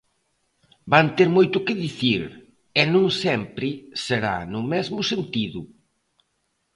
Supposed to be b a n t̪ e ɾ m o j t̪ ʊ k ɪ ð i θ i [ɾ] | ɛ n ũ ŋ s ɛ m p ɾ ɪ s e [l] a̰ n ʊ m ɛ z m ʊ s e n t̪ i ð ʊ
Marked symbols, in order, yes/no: yes, no

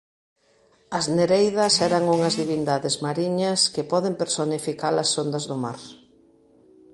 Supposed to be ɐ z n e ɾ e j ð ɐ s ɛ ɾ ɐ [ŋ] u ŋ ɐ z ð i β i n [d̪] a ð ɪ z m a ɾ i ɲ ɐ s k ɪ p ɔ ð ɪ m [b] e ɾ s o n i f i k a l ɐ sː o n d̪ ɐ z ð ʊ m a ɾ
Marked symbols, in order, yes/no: yes, yes, no

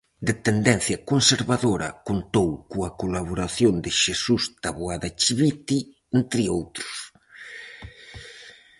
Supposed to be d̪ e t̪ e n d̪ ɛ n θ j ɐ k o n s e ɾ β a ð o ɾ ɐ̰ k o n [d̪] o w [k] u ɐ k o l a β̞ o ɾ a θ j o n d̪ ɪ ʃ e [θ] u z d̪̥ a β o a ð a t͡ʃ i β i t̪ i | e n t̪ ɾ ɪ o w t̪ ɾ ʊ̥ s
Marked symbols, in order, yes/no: no, yes, no

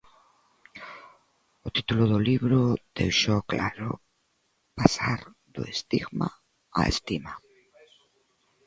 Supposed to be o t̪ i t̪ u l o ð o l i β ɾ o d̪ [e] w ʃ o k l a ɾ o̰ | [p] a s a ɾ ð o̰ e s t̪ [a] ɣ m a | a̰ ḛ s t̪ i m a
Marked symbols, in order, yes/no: yes, yes, no

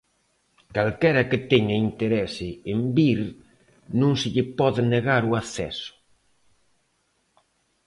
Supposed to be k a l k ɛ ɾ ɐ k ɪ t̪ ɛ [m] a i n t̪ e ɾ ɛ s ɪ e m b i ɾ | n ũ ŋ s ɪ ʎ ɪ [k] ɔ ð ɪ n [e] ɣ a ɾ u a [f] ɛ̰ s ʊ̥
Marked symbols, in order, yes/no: no, no, yes, no

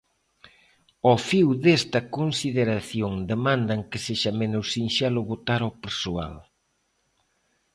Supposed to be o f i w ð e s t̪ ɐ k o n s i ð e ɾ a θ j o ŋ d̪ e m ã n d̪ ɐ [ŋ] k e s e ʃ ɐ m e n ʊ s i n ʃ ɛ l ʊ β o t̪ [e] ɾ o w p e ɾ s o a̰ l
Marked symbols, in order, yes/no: yes, no

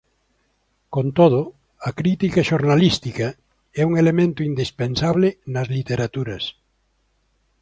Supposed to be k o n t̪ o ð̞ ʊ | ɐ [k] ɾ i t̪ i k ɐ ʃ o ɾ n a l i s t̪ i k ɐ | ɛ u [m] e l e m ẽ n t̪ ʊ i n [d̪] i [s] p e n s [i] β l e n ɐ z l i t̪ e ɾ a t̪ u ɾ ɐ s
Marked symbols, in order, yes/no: yes, no, yes, yes, no

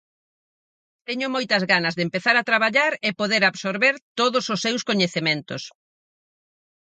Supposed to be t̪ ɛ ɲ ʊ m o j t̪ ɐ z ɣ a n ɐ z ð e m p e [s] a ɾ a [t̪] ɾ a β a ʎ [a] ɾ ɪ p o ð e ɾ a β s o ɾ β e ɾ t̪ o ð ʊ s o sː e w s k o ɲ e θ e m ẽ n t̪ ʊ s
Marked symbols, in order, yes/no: no, yes, yes

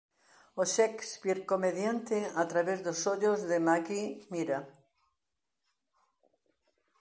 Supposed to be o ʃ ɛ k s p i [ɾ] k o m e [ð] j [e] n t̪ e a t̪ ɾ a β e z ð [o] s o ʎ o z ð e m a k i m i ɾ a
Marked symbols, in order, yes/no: yes, yes, no, yes

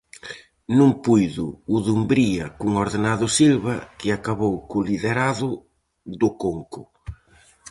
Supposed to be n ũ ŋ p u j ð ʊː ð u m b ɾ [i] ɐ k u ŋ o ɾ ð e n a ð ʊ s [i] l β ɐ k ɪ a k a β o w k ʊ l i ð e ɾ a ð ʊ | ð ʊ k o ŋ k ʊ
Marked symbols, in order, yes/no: yes, yes

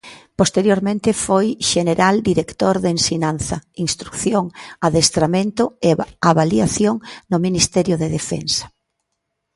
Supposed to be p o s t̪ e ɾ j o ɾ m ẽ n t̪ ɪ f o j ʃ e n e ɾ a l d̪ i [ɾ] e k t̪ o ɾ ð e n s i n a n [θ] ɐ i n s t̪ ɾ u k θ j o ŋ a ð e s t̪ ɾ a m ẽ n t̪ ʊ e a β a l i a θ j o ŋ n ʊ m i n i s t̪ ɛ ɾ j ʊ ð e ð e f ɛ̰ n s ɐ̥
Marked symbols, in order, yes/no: yes, yes

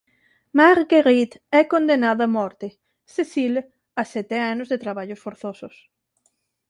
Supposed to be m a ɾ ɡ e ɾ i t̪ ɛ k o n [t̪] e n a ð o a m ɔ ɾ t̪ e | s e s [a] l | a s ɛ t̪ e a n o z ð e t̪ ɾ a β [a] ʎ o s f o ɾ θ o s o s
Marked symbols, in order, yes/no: no, no, yes

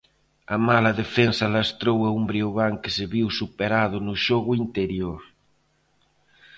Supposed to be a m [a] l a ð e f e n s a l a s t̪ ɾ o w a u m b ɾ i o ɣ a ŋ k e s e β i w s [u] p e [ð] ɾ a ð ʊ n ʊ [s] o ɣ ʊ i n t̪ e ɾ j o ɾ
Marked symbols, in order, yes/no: yes, yes, no, no

